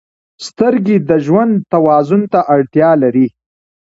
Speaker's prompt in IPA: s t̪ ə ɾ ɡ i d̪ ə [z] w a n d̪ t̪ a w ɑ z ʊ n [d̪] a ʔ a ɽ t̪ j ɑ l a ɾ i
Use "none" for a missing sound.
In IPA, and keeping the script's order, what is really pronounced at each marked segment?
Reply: ʒ, t̪

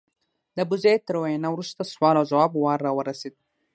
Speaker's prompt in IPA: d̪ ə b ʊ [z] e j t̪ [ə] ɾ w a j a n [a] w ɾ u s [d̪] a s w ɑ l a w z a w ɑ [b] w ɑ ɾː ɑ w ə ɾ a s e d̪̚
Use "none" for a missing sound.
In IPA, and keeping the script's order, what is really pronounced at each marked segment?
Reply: z, ə, a, t̪, b

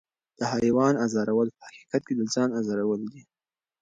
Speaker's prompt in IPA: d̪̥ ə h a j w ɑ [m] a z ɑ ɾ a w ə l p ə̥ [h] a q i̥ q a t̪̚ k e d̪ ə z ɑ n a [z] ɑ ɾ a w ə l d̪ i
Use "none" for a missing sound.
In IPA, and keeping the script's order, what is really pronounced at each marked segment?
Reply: n, h, z

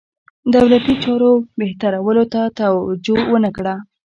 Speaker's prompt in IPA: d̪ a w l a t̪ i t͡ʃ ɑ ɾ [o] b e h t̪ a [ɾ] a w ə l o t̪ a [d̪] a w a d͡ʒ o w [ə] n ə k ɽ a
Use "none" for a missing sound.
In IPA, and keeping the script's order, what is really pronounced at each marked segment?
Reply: o, ɾ, t̪, ə

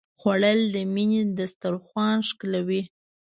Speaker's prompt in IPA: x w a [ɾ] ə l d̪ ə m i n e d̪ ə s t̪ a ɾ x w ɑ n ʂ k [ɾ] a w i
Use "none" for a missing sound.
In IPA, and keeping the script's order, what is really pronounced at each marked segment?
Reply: ɽ, l

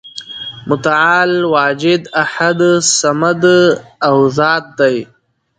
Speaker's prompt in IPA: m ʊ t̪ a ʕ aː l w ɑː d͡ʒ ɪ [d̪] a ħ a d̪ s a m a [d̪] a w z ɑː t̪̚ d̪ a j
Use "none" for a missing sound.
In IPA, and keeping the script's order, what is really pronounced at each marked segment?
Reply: d̪, d̪

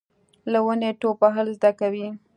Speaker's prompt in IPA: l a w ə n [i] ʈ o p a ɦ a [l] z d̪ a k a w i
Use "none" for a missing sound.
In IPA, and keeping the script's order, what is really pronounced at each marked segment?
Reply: e, l

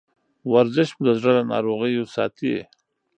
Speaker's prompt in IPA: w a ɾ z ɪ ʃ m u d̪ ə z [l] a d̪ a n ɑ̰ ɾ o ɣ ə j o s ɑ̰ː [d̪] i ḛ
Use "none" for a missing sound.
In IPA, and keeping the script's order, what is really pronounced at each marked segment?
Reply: ɽ, t̪

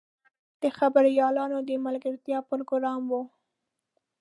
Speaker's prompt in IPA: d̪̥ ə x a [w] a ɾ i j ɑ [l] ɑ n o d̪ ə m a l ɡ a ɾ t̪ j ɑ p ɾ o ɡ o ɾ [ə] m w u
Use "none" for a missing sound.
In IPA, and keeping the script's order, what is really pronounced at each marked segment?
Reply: b, l, ɑ

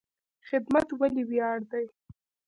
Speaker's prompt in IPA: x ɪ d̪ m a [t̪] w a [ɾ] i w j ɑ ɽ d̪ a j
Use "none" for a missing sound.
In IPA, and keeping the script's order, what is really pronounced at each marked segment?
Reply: t̪, l

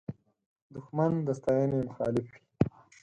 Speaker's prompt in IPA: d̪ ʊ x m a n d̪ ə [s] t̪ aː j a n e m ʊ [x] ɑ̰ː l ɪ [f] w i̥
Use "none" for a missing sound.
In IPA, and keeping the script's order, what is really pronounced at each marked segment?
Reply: s, x, f

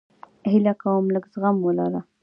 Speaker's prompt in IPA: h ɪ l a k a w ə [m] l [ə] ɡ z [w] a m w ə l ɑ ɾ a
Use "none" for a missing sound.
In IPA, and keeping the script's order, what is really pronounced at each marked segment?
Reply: m, ə, ɣ

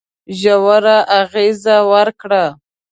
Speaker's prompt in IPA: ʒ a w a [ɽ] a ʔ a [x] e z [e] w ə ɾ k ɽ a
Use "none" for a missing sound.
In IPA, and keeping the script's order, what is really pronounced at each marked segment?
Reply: ɾ, ɣ, a

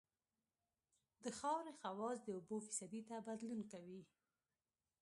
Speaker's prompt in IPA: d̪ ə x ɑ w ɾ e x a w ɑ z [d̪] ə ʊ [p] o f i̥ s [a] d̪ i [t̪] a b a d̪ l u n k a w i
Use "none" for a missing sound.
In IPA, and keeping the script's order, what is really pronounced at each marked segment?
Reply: d̪, b, a, t̪

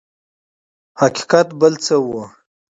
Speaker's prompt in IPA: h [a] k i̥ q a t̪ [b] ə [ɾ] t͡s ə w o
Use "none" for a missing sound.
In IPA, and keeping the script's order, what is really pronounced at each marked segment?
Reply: a, b, l

